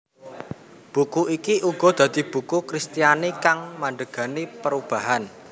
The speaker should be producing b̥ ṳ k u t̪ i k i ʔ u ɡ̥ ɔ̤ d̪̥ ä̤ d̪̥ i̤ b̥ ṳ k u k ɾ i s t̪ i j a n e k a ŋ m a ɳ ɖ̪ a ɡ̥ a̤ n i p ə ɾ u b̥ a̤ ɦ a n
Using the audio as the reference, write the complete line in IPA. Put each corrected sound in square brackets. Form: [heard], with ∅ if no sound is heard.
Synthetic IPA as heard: b̥ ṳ k u [∅] i k i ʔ u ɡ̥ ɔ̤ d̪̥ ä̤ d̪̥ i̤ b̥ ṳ k u k ɾ i s t̪ i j a n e k a ŋ m a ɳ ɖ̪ [ə] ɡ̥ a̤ n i p ə ɾ u b̥ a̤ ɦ a n